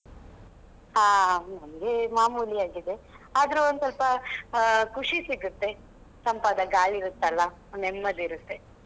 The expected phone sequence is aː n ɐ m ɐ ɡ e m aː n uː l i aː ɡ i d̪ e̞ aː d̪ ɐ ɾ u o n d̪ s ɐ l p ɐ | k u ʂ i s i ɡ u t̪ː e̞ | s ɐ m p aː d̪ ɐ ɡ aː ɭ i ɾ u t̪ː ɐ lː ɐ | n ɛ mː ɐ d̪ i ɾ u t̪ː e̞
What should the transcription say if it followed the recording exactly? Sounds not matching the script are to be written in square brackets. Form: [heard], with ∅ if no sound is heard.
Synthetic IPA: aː n ɐ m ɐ ɡ e m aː [m] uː l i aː ɡ i d̪ e̞ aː d̪ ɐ ɾ u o n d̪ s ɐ l p ɐ | k u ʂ i s i ɡ u t̪ː e̞ | s ɐ m p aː d̪ ɐ ɡ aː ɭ i ɾ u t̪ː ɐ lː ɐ | n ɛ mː ɐ d̪ i ɾ u t̪ː e̞

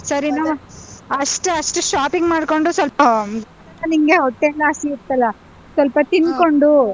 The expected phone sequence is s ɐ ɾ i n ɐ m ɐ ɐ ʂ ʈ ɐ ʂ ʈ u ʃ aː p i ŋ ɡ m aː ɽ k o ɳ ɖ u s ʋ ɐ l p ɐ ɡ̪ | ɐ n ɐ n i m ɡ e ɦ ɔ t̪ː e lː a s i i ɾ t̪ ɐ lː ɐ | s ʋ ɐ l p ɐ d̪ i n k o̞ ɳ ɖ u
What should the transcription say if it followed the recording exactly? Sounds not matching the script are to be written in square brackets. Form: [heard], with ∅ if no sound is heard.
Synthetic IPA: s ɐ ɾ i n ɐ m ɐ ɐ ʂ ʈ ɐ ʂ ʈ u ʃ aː p i ŋ ɡ m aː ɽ k o ɳ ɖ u s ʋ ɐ l p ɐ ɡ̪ | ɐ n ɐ n i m ɡ e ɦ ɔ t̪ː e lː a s i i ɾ t̪ ɐ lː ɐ | s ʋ ɐ l p ɐ [t̪] i n k o̞ ɳ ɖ u

